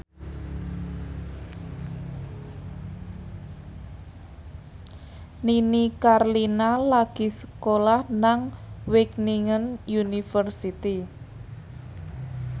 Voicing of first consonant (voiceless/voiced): voiced